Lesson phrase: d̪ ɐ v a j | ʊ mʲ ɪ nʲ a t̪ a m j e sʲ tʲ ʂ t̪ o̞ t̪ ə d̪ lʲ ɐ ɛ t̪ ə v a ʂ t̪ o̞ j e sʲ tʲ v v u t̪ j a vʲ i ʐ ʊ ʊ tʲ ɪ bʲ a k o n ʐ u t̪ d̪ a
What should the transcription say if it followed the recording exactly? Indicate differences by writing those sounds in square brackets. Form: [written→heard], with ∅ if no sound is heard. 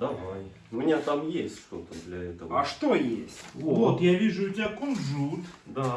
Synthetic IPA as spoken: d̪ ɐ v a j | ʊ mʲ ɪ nʲ a t̪ a m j e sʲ tʲ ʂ t̪ o̞ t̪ ə d̪ lʲ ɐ ɛ t̪ ə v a ʂ t̪ o̞ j e sʲ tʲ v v [u→o] t̪ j a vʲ i ʐ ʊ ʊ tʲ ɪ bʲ a k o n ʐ u t̪ d̪ a